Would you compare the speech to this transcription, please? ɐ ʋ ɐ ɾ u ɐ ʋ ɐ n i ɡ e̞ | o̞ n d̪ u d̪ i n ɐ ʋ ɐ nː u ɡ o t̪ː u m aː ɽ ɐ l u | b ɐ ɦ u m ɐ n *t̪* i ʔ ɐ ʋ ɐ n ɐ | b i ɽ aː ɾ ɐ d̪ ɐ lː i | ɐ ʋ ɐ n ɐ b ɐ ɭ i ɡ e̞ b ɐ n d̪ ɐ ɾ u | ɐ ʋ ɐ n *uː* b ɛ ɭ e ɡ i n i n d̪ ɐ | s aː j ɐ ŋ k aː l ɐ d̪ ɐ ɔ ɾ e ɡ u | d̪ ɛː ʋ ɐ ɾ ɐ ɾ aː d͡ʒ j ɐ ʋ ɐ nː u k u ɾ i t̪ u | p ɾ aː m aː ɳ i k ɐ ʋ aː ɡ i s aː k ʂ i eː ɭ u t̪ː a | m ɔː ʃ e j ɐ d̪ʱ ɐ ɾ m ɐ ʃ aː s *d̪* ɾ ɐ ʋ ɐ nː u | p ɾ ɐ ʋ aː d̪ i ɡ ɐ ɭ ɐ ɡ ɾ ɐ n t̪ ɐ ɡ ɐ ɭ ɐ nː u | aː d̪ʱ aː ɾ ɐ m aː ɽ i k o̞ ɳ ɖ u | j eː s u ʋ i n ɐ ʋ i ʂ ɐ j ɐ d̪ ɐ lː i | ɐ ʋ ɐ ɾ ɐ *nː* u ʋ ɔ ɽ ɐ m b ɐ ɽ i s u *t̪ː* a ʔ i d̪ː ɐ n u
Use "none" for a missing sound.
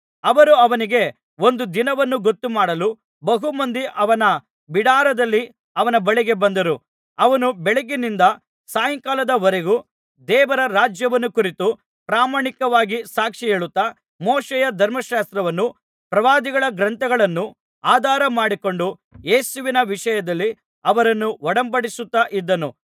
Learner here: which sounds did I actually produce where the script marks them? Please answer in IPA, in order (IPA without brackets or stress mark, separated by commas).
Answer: d̪, u, t̪, nː, t̪ː